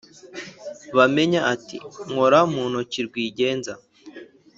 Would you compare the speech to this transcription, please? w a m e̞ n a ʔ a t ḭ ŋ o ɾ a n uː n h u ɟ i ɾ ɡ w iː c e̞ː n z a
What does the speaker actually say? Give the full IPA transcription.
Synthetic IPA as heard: β a m e̞ ɲ a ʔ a t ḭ ŋ o ɾ a m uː n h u c i ɾ ɡ w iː ɟ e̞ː n z a